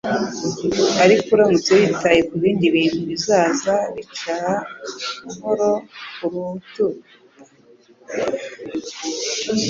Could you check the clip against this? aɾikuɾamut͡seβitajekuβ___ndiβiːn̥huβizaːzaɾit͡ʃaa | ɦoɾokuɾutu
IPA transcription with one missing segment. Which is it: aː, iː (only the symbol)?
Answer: iː